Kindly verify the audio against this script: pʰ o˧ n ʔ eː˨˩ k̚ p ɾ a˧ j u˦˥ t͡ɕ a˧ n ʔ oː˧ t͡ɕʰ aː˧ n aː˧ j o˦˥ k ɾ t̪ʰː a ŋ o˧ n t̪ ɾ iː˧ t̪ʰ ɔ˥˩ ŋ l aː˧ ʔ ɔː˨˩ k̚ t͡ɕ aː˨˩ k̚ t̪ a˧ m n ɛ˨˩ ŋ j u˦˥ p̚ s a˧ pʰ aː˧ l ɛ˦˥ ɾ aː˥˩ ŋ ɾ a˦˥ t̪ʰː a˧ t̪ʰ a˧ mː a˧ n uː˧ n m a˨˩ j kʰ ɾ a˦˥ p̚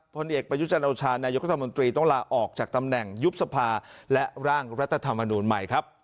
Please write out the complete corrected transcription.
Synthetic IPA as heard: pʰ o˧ n ʔ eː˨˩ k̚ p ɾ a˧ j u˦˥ t͡ɕ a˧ n ʔ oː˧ t͡ɕʰ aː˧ n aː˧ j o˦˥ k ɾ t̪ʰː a m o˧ n t̪ ɾ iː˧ t̪ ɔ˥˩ ŋ l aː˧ ʔ ɔː˨˩ k̚ t͡ɕ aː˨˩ k̚ t̪ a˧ m n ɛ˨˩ ŋ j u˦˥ p̚ s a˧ pʰ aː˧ l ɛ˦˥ ɾ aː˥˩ ŋ ɾ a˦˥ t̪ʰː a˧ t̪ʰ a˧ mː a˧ n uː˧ n m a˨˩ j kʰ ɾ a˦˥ p̚